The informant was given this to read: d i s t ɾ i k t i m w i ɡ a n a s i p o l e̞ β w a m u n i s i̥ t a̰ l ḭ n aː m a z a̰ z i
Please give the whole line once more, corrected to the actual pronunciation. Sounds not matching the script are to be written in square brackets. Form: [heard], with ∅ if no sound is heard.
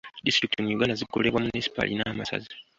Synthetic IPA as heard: d i s t ɾ i k t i m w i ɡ a n a [z] i [k] o l e̞ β w a m u n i s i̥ [p] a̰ l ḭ n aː m a [s] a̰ z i